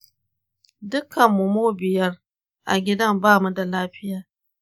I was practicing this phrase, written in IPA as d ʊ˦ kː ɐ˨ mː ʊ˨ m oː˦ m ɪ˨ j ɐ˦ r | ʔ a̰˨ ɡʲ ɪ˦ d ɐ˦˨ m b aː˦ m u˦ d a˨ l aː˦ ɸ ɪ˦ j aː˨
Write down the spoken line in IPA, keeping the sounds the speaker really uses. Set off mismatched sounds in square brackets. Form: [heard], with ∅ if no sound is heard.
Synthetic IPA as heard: d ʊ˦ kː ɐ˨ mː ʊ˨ m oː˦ [b] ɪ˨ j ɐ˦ r | ʔ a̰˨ ɡʲ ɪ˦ d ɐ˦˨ m b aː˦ m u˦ d a˨ l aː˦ ɸ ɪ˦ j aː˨